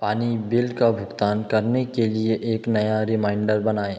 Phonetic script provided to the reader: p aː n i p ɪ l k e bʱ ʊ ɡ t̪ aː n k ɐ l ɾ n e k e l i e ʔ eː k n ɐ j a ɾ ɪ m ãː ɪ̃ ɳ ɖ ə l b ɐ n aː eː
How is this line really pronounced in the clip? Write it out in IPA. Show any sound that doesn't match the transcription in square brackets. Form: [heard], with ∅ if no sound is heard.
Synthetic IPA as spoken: p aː n i [b] ɪ l k [a] bʱ ʊ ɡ t̪ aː n k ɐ [∅] ɾ n e k e l i e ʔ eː k n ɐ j a ɾ ɪ m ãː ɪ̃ ɳ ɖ ə [ɾ] b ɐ n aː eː